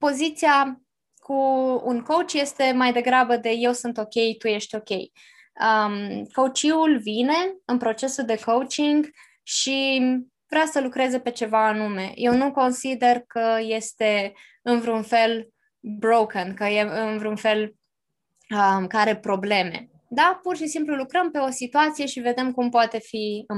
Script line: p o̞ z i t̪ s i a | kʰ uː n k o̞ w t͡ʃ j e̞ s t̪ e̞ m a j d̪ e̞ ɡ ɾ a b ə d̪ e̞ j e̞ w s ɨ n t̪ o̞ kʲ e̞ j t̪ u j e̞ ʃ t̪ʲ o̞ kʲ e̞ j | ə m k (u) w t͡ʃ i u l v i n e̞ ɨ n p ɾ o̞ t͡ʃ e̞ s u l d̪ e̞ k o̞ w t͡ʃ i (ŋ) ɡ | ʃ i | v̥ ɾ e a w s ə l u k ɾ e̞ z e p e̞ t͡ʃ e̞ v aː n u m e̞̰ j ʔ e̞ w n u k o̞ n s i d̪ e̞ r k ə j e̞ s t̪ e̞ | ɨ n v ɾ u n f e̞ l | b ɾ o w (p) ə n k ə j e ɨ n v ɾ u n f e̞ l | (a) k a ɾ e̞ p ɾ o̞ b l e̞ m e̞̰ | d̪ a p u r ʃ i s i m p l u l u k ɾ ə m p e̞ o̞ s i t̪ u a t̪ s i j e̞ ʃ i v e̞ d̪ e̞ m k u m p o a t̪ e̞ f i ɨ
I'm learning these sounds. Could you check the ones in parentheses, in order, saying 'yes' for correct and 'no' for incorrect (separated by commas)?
no, yes, no, no